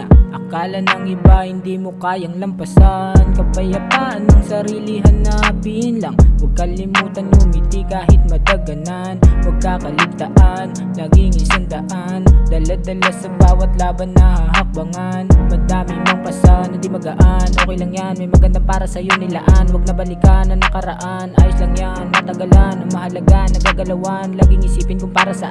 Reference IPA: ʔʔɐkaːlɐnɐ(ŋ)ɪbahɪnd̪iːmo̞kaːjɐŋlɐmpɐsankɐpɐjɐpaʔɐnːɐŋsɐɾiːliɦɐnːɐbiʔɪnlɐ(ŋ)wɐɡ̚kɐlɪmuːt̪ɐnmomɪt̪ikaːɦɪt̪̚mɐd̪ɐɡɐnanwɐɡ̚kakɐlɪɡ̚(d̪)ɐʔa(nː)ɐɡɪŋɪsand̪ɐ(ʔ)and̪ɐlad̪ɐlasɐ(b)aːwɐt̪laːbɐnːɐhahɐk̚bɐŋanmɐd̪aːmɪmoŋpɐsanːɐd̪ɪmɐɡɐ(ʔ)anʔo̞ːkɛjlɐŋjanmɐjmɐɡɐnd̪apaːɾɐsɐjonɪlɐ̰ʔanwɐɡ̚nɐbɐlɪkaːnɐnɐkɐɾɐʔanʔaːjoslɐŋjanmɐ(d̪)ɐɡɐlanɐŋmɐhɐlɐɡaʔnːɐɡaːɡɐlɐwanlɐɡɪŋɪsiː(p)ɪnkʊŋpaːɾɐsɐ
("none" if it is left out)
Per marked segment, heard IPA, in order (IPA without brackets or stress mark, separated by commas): ŋ, ŋ, t̪, nː, ʔ, b, ʔ, t̪, p